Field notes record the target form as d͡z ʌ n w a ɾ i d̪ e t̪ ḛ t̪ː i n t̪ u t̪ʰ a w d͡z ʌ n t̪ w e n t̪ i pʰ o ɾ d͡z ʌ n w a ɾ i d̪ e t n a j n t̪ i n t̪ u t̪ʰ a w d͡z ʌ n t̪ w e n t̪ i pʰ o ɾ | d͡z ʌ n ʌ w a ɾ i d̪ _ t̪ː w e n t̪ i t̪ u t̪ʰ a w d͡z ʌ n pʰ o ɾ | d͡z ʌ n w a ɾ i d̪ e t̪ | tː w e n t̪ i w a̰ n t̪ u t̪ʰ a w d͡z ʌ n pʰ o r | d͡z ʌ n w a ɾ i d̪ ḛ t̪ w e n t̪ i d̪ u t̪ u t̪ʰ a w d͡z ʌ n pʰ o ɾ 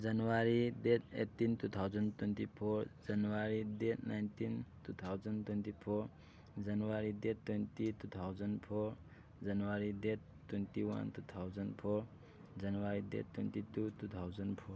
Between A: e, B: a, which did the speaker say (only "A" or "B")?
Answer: A